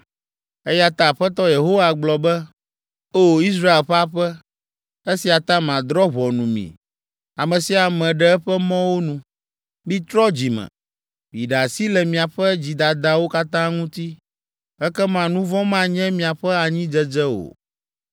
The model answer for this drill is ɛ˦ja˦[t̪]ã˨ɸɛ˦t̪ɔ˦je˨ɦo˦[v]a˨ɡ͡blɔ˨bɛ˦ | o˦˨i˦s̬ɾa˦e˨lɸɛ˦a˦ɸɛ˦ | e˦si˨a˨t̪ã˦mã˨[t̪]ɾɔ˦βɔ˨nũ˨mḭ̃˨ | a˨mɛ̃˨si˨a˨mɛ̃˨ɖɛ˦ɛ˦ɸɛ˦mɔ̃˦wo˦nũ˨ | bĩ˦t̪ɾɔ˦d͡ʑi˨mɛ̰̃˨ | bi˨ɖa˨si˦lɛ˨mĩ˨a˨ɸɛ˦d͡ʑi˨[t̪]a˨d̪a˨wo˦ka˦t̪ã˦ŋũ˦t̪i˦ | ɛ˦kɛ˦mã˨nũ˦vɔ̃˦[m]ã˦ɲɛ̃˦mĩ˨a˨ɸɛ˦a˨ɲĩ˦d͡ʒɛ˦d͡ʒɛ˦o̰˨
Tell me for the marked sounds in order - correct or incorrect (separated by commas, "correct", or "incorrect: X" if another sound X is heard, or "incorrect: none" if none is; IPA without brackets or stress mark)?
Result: correct, incorrect: w, incorrect: d̪, incorrect: d̪, correct